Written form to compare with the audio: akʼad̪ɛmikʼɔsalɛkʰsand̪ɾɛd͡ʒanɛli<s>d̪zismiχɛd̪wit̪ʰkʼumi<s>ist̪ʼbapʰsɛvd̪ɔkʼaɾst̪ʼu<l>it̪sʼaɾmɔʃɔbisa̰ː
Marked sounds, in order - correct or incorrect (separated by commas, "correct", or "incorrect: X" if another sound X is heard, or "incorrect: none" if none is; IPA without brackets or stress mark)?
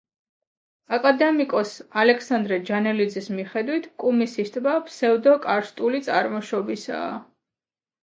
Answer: incorrect: none, correct, correct